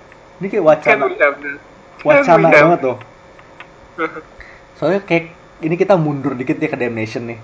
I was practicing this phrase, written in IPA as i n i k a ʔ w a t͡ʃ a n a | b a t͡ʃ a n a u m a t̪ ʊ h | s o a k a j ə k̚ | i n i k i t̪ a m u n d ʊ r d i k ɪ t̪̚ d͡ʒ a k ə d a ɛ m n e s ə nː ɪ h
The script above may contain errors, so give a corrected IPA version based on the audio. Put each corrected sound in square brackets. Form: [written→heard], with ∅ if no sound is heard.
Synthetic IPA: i n i k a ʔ w a t͡ʃ a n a | [b→w] a t͡ʃ a n a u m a t̪ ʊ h | s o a k a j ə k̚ | i n i k i t̪ a m u n d ʊ r d i k ɪ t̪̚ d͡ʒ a k ə d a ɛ m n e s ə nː ɪ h